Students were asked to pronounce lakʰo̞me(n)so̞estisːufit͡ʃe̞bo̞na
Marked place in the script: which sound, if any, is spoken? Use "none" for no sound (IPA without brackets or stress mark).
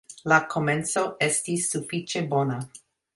n